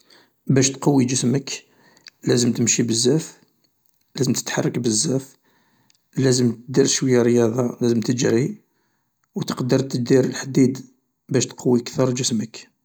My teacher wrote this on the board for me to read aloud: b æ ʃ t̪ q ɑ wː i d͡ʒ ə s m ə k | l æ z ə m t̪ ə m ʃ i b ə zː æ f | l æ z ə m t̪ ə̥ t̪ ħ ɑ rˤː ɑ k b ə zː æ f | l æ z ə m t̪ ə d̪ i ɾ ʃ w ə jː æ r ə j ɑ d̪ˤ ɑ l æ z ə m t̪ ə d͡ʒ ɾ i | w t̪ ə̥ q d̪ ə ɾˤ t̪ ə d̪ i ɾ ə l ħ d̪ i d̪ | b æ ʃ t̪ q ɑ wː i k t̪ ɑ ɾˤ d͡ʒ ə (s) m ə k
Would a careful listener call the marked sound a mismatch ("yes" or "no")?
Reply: no